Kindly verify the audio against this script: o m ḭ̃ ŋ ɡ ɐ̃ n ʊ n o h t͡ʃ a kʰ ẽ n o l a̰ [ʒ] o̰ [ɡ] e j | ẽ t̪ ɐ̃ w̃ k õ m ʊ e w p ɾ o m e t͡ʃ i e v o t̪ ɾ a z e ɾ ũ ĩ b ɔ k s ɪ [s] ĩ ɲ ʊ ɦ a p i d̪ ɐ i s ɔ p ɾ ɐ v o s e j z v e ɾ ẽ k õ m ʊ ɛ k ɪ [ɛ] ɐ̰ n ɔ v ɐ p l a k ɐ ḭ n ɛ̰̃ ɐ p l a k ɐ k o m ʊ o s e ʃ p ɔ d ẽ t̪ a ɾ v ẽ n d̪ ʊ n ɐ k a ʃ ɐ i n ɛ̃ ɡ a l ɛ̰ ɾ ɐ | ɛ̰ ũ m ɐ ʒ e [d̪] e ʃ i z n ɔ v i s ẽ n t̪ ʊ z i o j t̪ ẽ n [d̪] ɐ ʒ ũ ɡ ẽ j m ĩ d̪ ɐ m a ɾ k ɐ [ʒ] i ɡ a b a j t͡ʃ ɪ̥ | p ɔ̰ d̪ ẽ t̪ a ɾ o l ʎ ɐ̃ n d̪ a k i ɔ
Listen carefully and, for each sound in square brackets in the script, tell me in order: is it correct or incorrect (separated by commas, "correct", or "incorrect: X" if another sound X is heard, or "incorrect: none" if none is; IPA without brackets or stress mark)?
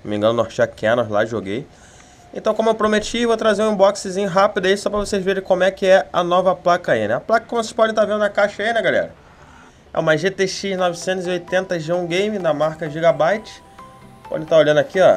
correct, correct, incorrect: z, correct, incorrect: t̪, incorrect: t̪, correct